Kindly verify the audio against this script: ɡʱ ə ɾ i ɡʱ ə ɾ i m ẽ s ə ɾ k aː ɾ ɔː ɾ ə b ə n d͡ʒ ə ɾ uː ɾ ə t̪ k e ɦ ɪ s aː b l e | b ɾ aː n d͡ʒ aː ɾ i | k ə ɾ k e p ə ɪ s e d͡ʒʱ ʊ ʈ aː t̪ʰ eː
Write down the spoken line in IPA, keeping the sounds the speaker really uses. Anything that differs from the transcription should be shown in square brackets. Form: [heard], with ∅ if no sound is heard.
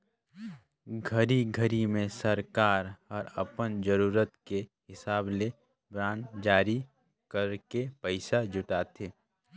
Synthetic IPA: ɡʱ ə ɾ i ɡʱ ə ɾ i m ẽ s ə ɾ k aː ɾ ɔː ɾ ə [p] ə n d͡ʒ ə ɾ uː ɾ ə t̪ k e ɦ ɪ s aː b l e | b ɾ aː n d͡ʒ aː ɾ i | k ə ɾ k e p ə ɪ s [a] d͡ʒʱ ʊ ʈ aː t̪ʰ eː